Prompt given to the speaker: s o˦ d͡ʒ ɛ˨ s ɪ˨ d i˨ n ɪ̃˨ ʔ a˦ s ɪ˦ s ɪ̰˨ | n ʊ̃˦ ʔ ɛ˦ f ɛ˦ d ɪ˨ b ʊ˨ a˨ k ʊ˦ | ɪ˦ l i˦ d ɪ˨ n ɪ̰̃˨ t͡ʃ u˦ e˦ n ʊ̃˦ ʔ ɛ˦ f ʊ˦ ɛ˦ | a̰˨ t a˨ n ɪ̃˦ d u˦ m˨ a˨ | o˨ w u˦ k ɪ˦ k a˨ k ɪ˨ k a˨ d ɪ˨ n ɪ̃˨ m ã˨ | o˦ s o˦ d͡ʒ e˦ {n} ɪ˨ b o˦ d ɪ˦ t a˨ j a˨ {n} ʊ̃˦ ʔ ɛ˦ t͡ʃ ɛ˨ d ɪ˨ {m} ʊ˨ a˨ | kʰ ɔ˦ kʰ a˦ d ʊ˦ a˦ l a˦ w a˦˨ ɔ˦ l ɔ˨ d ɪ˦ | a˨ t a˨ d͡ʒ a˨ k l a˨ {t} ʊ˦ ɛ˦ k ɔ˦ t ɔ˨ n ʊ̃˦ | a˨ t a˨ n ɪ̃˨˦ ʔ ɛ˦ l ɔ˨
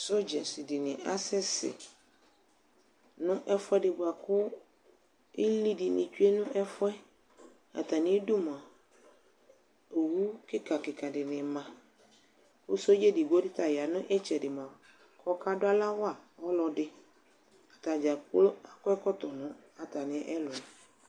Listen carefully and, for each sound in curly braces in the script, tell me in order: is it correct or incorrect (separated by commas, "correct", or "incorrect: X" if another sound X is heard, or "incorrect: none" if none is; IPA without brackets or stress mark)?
incorrect: d, correct, correct, incorrect: k